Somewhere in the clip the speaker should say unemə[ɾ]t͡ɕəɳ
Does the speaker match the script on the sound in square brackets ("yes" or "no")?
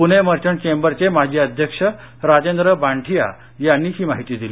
yes